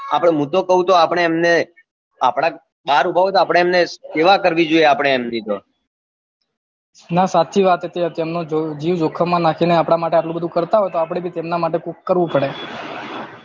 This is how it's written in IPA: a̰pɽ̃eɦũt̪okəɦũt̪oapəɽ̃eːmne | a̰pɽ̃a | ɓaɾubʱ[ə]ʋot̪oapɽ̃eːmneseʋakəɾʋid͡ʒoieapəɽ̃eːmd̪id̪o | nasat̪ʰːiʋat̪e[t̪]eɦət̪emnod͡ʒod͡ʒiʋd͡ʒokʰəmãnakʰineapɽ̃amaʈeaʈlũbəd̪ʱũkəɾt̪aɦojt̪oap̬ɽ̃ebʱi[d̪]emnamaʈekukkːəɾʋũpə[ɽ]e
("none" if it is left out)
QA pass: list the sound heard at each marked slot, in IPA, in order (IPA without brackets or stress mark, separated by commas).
a, t̪, t̪, ɽ